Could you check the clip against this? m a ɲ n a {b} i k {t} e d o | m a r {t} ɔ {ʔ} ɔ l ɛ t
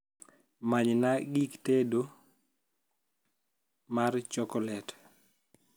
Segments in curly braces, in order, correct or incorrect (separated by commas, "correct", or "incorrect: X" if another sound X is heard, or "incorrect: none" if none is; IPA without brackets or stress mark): incorrect: ɡ, correct, incorrect: t͡ʃ, incorrect: k